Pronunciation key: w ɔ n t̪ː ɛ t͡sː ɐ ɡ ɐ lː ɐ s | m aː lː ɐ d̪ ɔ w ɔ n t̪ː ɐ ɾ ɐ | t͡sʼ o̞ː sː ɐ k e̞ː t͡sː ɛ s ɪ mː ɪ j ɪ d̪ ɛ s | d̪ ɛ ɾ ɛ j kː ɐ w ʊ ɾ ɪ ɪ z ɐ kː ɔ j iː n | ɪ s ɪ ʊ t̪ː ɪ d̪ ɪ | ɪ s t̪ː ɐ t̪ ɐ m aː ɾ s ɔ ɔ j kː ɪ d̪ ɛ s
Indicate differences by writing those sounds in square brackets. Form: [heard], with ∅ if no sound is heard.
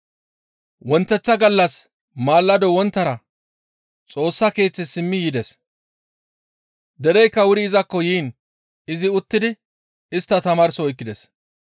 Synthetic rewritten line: w ɔ n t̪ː ɛ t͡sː ɐ ɡ ɐ lː ɐ s | m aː lː ɐ d̪ ɔ w ɔ n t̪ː ɐ ɾ ɐ | t͡sʼ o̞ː sː ɐ k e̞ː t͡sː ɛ s ɪ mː ɪ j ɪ d̪ ɛ s | d̪ ɛ ɾ ɛ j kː ɐ w ʊ ɾ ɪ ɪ z ɐ kː ɔ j iː n | ɪ [z] ɪ ʊ t̪ː ɪ d̪ ɪ | ɪ s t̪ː ɐ t̪ ɐ m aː ɾ s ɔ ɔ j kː ɪ d̪ ɛ s